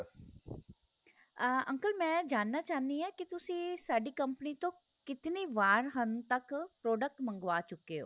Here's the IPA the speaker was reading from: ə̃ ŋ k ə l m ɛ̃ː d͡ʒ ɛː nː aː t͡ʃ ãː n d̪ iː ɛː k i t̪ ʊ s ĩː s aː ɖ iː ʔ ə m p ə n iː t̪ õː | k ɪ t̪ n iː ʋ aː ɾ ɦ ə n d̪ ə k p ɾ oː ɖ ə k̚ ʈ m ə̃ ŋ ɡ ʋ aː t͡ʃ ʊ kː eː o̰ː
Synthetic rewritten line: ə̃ ŋ k ə l m ɛ̃ː d͡ʒ aː nː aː t͡ʃ aː n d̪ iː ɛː k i t̪ ʊ s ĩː s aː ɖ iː k ə m p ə n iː t̪ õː | k ɪ t̪ n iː ʋ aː ɾ ɦ ə n t̪ ə k p ɾ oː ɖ ə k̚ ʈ m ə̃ ŋ ɡ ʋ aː t͡ʃ ʊ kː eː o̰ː